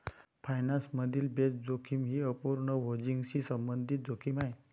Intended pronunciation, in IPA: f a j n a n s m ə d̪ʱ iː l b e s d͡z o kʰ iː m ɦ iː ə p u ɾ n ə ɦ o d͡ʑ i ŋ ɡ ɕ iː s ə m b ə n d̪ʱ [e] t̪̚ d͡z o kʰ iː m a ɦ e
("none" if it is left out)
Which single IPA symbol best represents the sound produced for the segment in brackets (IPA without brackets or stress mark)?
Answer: i